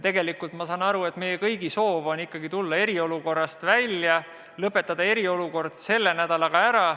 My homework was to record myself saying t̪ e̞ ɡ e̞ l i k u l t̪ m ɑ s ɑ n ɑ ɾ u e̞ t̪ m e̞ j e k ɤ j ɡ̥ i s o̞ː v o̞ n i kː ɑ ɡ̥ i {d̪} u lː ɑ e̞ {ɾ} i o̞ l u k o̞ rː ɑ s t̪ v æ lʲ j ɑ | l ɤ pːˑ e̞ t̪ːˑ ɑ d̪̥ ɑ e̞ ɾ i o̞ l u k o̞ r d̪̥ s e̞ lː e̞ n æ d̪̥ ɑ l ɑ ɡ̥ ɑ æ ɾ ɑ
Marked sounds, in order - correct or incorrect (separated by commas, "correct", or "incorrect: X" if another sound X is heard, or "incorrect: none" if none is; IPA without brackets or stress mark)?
incorrect: t̪, correct